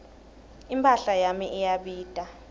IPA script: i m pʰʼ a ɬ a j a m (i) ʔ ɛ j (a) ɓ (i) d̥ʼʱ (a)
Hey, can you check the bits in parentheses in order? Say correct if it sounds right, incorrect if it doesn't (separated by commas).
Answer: correct, correct, incorrect, correct